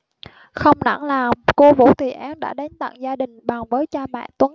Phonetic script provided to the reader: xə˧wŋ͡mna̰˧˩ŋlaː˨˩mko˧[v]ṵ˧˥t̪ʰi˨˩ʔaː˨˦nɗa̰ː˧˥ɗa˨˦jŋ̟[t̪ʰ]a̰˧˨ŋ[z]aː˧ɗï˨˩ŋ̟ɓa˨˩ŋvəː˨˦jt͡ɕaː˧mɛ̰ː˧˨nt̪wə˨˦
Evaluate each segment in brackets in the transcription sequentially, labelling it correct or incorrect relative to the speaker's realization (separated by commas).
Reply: correct, incorrect, correct